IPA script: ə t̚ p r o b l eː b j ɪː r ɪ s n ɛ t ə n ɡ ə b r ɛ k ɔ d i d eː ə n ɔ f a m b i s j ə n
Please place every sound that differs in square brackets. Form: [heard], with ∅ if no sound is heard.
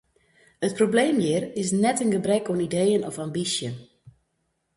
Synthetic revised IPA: ə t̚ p r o b l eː [m] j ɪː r ɪ s n ɛ t ə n ɡ ə b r ɛ k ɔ [n] i d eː ə n ɔ f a m b i s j ə n